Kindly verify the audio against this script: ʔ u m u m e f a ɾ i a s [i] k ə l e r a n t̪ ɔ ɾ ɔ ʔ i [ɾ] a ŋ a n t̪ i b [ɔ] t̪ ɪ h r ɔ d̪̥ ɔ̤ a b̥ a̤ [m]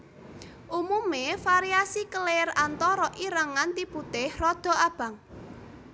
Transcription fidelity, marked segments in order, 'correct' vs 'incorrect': correct, correct, incorrect, incorrect

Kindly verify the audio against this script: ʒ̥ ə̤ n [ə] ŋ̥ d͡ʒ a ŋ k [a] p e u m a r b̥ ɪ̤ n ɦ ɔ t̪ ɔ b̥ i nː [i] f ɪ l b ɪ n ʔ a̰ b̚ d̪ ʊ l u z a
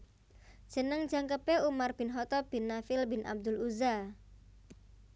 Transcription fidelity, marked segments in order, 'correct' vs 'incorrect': correct, incorrect, incorrect

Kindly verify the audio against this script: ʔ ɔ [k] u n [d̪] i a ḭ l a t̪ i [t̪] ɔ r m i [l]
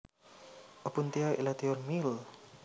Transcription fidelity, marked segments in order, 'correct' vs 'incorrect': incorrect, incorrect, incorrect, correct

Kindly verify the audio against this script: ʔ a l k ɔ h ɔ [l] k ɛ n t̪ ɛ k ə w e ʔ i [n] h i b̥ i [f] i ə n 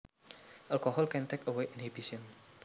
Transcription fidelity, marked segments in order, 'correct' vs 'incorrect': correct, correct, incorrect

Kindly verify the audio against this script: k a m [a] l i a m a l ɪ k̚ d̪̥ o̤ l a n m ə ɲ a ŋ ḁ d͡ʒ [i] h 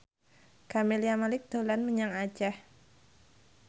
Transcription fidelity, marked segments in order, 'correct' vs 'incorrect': incorrect, incorrect

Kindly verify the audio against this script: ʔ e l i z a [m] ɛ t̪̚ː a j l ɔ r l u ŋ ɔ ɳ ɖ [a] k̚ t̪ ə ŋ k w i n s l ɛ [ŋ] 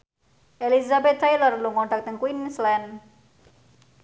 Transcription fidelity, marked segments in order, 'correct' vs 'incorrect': incorrect, correct, incorrect

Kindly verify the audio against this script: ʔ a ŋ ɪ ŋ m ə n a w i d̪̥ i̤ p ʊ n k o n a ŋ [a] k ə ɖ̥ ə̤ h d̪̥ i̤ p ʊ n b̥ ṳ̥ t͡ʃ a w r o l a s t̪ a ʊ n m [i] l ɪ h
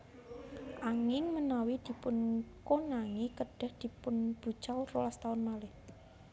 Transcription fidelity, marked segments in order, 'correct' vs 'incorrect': incorrect, incorrect

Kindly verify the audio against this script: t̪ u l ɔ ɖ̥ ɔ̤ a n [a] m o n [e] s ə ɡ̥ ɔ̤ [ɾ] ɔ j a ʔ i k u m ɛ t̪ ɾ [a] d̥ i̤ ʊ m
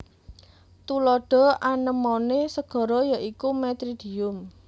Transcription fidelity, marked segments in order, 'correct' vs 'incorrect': incorrect, correct, correct, incorrect

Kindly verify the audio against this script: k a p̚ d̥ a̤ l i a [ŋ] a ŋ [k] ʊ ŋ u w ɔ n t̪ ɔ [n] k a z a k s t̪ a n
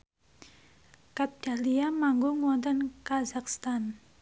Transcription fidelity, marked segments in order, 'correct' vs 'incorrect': incorrect, incorrect, correct

